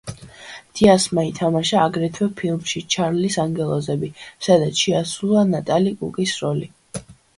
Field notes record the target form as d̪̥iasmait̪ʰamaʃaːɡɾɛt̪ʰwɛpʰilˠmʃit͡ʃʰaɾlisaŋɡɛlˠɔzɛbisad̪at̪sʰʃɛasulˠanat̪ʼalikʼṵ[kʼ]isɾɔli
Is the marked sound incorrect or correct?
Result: correct